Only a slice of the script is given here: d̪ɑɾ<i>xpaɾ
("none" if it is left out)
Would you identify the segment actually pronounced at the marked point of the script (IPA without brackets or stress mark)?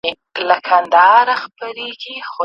a